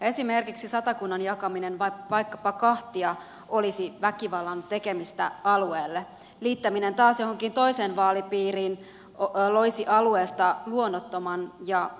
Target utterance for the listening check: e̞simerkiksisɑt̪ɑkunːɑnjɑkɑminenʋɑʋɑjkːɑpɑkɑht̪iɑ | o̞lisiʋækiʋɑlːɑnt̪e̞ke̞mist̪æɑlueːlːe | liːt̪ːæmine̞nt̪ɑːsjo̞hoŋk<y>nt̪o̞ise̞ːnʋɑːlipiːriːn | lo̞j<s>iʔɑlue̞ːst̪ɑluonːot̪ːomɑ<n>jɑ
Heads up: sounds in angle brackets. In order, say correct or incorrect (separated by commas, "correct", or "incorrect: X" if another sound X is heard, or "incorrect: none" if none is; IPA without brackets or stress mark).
incorrect: i, correct, correct